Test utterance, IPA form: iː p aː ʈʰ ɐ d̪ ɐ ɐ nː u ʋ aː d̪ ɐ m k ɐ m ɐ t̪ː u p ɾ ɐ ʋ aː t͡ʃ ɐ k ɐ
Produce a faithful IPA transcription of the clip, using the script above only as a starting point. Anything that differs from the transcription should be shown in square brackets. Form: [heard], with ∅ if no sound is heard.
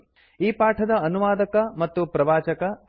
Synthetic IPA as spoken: iː p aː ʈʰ ɐ d̪ ɐ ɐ [n] u ʋ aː d̪ ɐ [∅] k ɐ m ɐ t̪ː u p ɾ ɐ ʋ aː t͡ʃ ɐ k ɐ